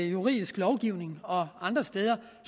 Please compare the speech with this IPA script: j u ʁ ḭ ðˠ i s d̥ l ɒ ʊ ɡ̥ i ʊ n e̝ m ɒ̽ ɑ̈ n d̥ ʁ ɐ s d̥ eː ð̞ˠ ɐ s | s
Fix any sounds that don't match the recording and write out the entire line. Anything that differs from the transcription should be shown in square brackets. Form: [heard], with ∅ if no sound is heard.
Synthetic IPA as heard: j u ʁ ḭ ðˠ i s [ɡ̥] l ɒ ʊ ɡ̥ i ʊ n e̝ [ŋ] ɒ̽ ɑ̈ n d̥ ʁ ɐ s d̥ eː ð̞ˠ ɐ [∅] | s